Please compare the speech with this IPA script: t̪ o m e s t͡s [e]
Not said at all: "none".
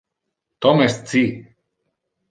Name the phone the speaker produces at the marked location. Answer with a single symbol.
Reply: i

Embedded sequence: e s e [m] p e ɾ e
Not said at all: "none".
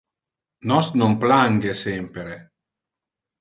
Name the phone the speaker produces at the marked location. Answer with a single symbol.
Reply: m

